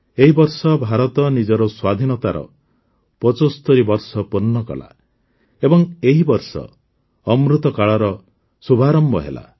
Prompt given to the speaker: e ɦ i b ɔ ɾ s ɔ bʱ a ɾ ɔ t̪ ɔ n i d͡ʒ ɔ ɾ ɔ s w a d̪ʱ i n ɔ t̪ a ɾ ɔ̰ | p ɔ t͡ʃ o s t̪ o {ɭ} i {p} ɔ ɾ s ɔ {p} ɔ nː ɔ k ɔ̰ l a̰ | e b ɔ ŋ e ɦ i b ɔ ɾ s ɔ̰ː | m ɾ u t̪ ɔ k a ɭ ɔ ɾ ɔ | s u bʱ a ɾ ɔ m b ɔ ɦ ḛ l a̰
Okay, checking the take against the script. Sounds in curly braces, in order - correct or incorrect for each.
incorrect: ɾ, incorrect: b, correct

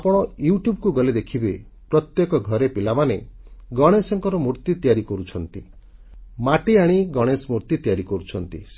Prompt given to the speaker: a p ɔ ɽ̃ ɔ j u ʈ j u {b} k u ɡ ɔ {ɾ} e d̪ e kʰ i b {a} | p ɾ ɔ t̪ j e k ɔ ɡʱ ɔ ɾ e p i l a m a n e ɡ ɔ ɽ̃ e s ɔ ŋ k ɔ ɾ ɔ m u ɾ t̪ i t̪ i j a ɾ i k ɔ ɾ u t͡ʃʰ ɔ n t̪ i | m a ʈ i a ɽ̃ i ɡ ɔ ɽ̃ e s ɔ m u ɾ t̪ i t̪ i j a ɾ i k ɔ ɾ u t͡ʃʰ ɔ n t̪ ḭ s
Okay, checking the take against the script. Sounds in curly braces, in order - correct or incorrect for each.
correct, incorrect: l, incorrect: e

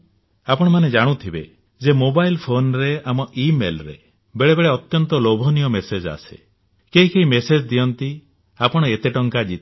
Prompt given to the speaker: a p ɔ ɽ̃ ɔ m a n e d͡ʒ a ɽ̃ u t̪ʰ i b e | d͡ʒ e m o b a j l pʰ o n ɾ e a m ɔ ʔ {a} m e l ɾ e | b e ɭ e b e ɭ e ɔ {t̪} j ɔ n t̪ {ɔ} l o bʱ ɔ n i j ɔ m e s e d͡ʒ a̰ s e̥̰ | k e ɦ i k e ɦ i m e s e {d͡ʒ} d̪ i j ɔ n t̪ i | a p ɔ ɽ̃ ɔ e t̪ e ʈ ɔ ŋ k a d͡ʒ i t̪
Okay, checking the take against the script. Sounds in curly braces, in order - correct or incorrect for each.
incorrect: i, correct, correct, correct

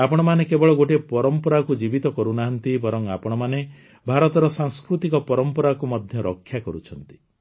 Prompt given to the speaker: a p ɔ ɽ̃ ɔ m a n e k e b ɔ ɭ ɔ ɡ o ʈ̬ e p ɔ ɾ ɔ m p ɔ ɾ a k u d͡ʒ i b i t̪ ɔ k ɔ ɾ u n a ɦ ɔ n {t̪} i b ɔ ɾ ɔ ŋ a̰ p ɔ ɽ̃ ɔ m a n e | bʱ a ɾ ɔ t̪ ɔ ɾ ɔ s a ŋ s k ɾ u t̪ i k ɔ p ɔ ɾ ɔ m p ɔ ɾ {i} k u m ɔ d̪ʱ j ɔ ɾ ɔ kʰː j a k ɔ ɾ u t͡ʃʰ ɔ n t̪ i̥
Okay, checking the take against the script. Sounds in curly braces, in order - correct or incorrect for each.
correct, incorrect: a

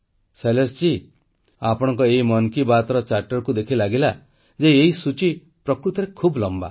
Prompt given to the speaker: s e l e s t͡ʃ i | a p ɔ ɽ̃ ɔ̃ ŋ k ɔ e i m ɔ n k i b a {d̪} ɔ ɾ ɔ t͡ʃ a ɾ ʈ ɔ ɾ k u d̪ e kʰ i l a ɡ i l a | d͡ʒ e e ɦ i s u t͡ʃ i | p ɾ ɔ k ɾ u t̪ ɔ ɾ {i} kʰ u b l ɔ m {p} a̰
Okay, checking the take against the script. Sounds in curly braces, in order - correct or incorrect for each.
incorrect: t̪, incorrect: e, incorrect: b

